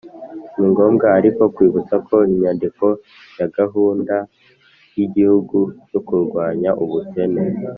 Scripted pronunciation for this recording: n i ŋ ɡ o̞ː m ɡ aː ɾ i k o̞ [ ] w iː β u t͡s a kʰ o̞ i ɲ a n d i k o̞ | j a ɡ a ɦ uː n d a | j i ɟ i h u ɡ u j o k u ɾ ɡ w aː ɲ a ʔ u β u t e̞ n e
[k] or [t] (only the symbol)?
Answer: k